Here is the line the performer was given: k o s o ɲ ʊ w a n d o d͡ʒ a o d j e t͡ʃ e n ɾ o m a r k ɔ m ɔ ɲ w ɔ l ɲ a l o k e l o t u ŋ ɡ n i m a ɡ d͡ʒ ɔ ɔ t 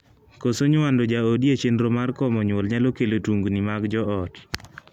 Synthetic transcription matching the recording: k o s o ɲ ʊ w a n d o d͡ʒ a o d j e t͡ʃ e n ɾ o m a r k ɔ m ɔ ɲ w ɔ l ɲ a l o k e l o t u ŋ ɡ n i m a ɡ d͡ʒ ɔ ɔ t

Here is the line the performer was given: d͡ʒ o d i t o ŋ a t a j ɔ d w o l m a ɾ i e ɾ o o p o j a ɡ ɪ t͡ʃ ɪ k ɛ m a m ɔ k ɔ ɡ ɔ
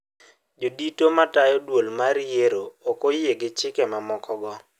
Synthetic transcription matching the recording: d͡ʒ o d i t o m a t a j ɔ d w o l m a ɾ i e ɾ o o k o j e ɡ ɪ t͡ʃ ɪ k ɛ m a m ɔ k ɔ ɡ ɔ

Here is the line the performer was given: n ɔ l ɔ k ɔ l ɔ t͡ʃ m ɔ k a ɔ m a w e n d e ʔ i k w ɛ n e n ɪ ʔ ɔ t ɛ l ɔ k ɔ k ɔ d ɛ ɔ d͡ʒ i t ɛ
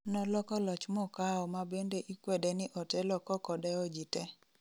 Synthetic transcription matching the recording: n ɔ l ɔ k ɔ l ɔ t͡ʃ m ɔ k a ɔ m a b e n d e ʔ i k w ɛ d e n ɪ ʔ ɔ t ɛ l ɔ k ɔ k ɔ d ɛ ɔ d͡ʒ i t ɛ

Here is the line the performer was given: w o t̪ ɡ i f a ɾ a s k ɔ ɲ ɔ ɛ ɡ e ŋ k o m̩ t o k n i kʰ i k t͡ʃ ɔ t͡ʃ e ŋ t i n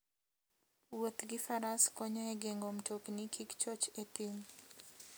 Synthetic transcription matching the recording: w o t̪ ɡ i f a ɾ a s k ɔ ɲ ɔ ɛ ɡ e ŋ ɡ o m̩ t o k n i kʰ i k t͡ʃ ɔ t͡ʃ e t i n

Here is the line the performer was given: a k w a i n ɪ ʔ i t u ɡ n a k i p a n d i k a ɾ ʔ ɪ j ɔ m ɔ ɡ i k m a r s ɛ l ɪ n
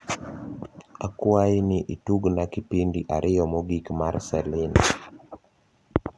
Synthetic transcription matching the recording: a k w a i n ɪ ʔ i t u ɡ n a k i p i n d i ʔ a ɾ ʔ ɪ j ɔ m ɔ ɡ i k m a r s ɛ l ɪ n

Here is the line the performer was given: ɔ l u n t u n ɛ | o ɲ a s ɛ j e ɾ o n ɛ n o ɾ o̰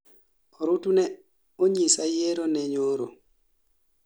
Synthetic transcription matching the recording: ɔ ɾ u t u n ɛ | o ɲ i s a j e ɾ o n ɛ ɲ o ɾ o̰

